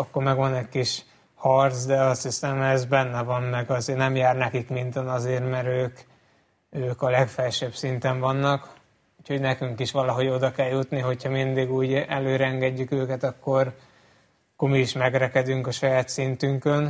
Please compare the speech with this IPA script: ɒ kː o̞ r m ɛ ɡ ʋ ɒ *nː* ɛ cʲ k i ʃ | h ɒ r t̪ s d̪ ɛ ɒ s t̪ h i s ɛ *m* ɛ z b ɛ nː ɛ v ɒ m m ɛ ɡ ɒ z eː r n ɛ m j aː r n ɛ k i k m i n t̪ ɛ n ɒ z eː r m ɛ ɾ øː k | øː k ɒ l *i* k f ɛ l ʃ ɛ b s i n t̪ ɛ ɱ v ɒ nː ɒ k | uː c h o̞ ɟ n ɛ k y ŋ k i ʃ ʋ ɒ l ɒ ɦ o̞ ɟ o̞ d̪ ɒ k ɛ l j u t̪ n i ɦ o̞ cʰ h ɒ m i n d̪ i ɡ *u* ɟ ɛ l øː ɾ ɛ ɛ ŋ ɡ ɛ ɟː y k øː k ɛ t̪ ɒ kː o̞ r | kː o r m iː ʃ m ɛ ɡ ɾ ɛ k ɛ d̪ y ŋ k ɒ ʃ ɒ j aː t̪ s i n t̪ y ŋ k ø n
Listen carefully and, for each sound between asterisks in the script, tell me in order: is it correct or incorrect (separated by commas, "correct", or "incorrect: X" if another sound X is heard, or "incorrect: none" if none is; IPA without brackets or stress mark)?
incorrect: n, correct, incorrect: ɛ, incorrect: uː